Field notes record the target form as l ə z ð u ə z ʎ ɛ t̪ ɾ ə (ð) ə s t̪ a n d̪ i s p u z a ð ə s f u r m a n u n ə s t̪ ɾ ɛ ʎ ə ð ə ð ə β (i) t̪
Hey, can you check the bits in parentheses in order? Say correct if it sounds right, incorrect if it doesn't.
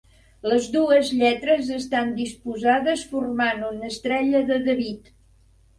incorrect, correct

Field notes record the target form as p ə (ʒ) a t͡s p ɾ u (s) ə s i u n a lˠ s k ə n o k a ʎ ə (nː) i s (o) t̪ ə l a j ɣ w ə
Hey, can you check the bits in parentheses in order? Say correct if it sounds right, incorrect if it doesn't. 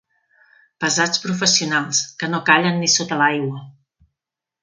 incorrect, incorrect, correct, correct

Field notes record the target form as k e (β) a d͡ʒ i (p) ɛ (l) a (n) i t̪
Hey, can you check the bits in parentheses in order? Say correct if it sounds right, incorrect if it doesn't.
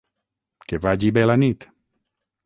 incorrect, incorrect, correct, correct

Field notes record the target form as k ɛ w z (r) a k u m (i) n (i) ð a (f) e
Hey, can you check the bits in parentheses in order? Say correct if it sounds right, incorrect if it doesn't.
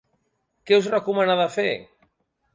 correct, incorrect, incorrect, correct

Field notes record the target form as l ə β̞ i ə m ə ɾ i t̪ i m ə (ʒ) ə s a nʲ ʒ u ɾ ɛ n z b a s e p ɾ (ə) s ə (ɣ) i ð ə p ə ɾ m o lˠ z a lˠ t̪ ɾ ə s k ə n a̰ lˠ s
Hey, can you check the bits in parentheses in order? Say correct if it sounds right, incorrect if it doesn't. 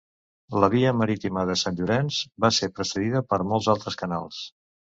incorrect, correct, incorrect

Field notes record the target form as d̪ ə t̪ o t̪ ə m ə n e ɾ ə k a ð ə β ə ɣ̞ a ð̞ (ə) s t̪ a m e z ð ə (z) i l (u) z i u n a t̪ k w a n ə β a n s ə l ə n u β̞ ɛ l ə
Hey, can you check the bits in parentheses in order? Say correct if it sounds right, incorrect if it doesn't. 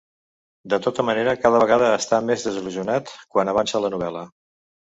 incorrect, correct, correct

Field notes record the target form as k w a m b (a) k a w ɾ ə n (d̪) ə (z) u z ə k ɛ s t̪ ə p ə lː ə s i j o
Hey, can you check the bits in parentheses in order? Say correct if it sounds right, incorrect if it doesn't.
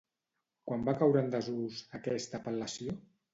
correct, correct, correct

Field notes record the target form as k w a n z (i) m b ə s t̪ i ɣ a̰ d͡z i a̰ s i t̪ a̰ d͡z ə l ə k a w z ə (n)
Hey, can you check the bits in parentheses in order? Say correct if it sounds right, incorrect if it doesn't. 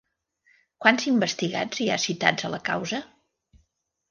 correct, incorrect

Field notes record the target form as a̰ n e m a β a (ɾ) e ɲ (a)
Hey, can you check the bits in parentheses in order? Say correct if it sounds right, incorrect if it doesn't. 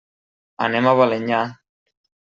incorrect, correct

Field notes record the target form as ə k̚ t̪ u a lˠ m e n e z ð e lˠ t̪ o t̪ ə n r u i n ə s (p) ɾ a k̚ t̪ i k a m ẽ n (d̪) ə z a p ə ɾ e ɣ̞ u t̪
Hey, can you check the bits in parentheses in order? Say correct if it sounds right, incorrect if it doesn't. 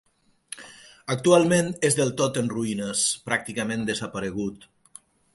correct, correct

